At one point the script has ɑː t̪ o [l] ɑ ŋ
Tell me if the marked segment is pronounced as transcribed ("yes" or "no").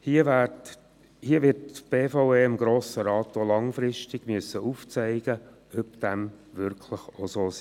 yes